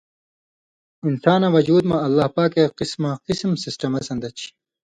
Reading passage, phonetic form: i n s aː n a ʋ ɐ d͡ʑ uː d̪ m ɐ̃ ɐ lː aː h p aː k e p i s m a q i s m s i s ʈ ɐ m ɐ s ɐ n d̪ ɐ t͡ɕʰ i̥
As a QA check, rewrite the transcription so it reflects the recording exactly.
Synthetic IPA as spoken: i n s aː n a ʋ ɐ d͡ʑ uː d̪ m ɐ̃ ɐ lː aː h p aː k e q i s m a q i s m s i s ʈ ɐ m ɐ s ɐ n d̪ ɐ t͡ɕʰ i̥